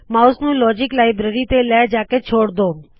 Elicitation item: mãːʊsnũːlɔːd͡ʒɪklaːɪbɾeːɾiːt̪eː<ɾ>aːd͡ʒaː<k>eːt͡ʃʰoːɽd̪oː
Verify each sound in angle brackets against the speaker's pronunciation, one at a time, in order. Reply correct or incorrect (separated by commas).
incorrect, correct